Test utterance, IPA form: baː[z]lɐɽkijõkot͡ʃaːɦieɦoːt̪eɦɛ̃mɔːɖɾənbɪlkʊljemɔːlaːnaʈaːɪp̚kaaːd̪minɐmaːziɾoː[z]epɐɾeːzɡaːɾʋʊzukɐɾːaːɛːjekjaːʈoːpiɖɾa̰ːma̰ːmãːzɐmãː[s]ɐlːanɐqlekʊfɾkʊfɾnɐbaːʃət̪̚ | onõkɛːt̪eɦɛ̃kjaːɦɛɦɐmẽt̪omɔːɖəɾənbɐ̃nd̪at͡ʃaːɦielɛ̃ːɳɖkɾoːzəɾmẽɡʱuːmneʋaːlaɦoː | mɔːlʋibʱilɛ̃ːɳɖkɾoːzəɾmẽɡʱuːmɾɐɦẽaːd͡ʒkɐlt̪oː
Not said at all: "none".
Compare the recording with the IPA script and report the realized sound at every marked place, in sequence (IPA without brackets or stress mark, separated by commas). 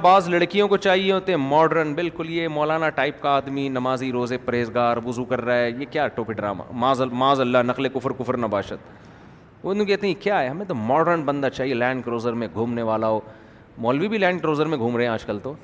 z, z, z